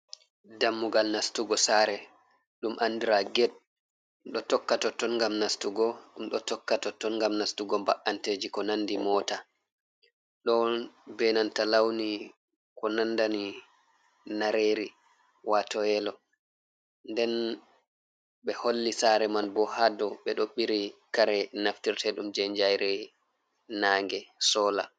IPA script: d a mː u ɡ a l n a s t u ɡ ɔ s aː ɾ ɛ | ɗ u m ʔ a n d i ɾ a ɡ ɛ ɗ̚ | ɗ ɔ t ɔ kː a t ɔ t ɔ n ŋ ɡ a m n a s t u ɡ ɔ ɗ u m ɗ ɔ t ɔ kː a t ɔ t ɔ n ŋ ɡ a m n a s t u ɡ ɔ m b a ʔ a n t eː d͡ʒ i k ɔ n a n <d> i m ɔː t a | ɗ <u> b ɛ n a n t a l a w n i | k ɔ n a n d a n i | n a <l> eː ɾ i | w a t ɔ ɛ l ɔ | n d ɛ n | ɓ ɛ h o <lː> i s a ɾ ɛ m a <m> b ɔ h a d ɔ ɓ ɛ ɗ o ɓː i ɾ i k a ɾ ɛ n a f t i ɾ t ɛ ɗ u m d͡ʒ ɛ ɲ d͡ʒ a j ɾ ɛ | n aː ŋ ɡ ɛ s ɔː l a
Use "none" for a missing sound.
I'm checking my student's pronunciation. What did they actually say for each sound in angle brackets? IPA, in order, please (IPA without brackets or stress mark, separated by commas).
d, ɔ, ɾ, lː, n